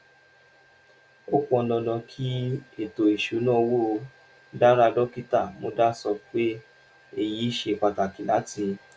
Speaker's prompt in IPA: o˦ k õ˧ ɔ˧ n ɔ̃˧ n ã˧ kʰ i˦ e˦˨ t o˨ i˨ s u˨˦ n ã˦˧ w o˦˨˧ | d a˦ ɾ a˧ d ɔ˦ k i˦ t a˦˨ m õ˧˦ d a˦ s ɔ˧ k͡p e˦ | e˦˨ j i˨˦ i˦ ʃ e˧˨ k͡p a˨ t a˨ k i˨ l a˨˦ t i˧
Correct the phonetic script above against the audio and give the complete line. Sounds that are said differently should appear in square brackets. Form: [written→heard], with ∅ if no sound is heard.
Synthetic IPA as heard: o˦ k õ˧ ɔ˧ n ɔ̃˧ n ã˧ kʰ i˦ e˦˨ t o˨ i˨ [s→ʃ] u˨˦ n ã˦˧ w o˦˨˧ | d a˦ ɾ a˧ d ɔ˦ k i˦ t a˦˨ m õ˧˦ d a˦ s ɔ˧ k͡p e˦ | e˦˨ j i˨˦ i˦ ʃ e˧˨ k͡p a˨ t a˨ k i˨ l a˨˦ t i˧